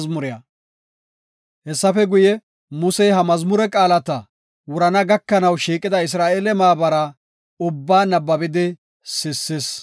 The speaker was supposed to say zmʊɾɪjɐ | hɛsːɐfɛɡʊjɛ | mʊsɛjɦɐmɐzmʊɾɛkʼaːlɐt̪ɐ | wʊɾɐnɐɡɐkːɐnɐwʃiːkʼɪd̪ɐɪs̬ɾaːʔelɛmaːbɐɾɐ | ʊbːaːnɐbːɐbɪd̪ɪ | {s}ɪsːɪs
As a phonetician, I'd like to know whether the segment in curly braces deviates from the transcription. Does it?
no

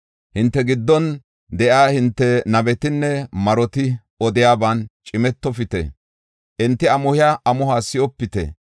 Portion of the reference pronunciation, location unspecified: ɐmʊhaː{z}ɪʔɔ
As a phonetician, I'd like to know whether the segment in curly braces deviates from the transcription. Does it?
yes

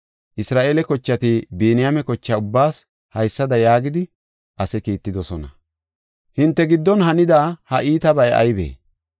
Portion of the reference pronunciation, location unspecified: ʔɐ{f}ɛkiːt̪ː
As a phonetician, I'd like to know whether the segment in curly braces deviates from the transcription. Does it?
yes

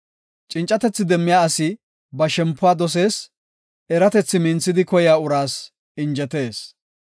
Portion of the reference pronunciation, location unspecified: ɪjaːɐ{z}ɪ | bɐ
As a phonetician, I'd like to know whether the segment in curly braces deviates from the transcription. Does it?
yes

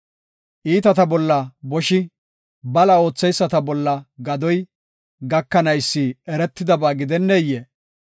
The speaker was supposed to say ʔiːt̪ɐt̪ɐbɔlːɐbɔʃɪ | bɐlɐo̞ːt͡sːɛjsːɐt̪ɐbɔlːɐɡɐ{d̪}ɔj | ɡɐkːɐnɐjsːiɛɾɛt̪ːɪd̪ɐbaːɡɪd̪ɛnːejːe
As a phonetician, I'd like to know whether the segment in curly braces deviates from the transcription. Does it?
no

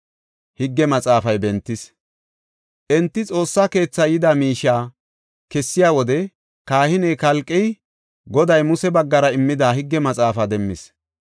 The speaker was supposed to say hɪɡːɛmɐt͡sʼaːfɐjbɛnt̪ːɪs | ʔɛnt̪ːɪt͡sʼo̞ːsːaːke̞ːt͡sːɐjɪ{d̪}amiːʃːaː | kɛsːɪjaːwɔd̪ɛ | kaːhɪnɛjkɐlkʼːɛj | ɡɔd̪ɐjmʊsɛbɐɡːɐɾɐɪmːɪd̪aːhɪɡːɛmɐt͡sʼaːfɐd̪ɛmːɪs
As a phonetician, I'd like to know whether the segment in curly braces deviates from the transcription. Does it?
no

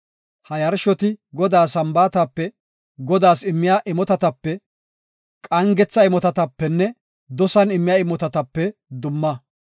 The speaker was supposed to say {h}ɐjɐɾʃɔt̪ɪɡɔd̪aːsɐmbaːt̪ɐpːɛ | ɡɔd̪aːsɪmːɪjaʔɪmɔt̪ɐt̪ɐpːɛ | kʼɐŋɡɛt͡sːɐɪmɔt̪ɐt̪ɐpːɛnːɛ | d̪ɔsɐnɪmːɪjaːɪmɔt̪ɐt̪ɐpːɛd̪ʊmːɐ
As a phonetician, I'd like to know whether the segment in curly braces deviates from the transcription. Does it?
no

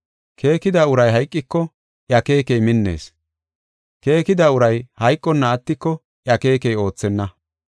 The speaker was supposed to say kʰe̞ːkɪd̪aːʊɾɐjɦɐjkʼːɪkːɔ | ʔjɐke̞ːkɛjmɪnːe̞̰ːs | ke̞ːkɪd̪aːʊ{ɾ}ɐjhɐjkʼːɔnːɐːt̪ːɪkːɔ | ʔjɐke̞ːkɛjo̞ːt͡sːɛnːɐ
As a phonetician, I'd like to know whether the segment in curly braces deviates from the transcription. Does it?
no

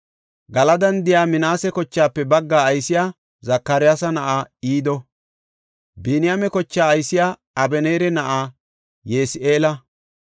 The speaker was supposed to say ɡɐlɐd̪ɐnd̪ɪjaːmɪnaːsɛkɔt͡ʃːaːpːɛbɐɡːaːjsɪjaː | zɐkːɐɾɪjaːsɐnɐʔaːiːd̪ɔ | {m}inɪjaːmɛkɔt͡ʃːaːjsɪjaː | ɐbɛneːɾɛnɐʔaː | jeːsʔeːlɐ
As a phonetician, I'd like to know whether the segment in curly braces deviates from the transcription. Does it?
yes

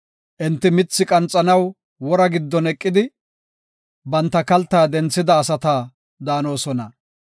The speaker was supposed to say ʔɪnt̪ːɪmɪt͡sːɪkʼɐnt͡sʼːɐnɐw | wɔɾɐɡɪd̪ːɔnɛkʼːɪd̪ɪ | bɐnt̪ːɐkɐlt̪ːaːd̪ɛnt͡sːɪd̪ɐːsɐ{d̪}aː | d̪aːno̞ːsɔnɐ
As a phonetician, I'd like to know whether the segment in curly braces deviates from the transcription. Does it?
yes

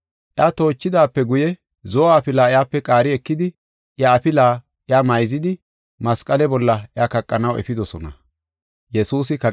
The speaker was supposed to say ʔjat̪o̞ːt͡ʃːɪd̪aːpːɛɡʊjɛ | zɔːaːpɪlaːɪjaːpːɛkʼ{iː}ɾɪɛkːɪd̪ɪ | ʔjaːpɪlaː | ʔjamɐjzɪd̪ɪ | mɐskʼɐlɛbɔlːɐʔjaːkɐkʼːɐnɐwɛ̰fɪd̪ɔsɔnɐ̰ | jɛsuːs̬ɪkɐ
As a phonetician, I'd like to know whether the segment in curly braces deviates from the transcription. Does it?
yes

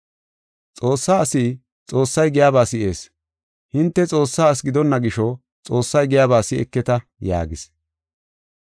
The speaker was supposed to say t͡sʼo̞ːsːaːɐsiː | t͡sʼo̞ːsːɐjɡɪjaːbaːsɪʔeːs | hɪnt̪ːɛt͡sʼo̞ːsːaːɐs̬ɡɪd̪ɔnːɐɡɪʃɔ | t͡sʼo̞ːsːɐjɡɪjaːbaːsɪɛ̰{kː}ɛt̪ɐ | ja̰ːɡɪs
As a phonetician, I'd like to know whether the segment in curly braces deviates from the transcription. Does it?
no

